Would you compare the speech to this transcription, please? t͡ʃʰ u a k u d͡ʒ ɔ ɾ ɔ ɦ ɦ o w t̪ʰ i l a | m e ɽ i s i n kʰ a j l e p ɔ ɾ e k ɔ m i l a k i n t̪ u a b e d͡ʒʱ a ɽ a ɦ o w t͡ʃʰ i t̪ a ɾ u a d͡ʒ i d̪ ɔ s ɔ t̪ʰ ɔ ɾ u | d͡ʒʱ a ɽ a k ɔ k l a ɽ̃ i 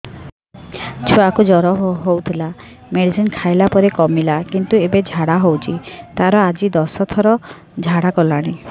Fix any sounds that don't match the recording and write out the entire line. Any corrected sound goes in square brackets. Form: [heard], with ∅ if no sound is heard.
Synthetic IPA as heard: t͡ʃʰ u a k u d͡ʒ ɔ ɾ ɔ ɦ ɦ o w t̪ʰ i l a | m e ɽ i s i n kʰ a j l [a] p ɔ ɾ e k ɔ m i l a k i n t̪ u [e] b e d͡ʒʱ a ɽ a ɦ o w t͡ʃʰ i t̪ a ɾ [ɔ] a d͡ʒ i d̪ ɔ s ɔ t̪ʰ ɔ ɾ [ɔ] | d͡ʒʱ a ɽ a k ɔ [∅] l a ɽ̃ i